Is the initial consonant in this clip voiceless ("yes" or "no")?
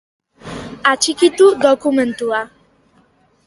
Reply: yes